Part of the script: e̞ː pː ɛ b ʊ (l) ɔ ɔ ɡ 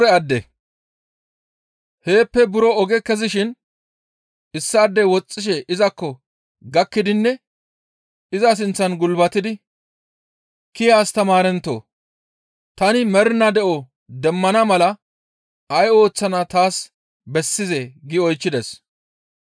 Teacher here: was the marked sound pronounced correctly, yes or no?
no